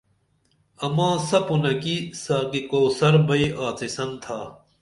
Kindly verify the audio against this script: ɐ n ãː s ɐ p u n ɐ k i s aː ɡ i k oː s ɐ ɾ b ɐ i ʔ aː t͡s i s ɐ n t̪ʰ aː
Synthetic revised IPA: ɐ m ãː s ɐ p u n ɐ k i s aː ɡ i k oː s ɐ ɾ b ɐ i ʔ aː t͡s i s ɐ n t̪ʰ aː